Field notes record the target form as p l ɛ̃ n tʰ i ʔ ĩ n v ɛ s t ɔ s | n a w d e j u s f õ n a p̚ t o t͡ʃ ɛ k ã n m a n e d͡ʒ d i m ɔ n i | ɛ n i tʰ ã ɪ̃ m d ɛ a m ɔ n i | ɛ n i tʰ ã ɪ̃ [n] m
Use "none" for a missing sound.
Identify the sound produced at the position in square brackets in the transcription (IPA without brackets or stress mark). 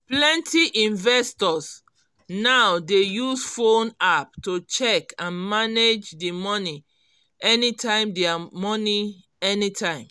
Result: none